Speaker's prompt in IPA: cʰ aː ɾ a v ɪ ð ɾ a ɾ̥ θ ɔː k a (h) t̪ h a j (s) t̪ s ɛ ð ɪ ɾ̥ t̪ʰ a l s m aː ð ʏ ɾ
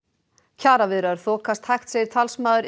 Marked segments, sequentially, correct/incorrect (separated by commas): incorrect, incorrect